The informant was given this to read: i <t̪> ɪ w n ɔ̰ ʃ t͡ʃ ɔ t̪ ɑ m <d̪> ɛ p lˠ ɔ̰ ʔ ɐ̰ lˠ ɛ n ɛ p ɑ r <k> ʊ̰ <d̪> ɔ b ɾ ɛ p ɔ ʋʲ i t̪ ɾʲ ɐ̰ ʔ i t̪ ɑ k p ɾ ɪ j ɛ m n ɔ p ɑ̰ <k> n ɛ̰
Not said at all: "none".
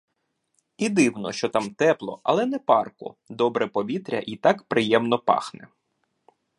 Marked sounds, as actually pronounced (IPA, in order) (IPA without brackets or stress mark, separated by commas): d̪, t̪, k, d̪, x